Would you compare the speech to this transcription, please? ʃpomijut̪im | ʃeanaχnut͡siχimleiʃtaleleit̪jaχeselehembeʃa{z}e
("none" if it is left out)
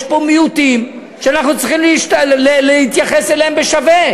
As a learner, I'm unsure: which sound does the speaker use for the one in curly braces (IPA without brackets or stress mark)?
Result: v